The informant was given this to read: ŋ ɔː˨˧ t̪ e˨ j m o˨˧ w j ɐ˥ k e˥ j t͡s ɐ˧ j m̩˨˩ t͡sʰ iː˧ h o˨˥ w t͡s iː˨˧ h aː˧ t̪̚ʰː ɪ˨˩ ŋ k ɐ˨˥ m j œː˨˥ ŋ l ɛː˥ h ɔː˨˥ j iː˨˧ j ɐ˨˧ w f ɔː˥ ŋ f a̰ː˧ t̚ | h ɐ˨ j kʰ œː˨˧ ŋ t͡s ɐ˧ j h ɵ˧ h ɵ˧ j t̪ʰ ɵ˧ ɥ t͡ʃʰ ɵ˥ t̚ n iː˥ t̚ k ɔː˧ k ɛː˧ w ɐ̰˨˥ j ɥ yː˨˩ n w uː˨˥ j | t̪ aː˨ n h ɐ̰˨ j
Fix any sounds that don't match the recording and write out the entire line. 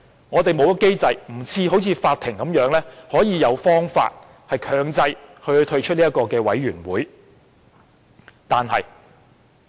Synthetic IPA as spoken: ŋ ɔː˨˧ t̪ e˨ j m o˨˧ w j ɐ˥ k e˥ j t͡s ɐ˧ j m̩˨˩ t͡sʰ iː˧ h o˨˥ w t͡sʰ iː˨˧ f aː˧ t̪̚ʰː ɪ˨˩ ŋ k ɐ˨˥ m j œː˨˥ ŋ l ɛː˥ h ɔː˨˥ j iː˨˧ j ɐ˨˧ w f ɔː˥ ŋ f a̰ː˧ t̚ | h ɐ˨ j kʰ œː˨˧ ŋ t͡s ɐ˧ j h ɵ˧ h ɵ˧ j t̪ʰ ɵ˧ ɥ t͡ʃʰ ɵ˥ t̚ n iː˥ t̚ k ɔː˧ k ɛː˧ w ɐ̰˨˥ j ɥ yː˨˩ n w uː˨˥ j | t̪ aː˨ n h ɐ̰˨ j